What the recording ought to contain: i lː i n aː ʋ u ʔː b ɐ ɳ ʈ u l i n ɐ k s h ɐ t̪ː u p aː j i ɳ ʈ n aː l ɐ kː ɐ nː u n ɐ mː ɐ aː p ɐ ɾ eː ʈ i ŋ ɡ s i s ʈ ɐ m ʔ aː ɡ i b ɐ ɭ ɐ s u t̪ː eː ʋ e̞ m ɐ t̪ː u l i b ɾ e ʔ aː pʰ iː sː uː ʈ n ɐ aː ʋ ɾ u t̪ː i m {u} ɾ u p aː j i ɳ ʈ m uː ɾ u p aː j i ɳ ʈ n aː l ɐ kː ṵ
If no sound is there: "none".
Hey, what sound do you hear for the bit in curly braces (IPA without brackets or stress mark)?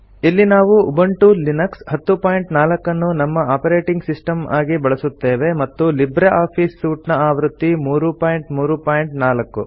uː